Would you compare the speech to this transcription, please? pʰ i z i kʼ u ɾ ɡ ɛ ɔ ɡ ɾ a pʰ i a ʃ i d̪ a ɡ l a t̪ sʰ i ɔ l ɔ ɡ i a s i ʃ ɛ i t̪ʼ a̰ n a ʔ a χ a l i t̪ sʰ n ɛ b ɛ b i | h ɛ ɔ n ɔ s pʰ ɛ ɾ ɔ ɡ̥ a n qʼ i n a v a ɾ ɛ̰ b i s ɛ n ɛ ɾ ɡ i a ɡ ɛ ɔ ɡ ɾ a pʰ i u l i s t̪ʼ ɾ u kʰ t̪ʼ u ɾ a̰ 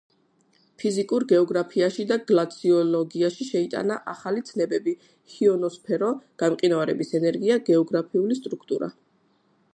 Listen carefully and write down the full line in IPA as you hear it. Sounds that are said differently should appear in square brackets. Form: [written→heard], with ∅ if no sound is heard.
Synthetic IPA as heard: pʰ i z i kʼ u ɾ ɡ ɛ ɔ ɡ ɾ a pʰ i a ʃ i d̪ a ɡ l a t̪ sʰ i ɔ l ɔ ɡ i a [s→ʃ] i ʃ ɛ i t̪ʼ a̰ n a ʔ a χ a l i t̪ sʰ n ɛ b ɛ b i | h [ɛ→i] ɔ n ɔ s pʰ ɛ ɾ ɔ ɡ̥ a [n→m] qʼ i n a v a ɾ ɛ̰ b i s ɛ n ɛ ɾ ɡ i a ɡ ɛ ɔ ɡ ɾ a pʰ i u l i s t̪ʼ ɾ u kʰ t̪ʼ u ɾ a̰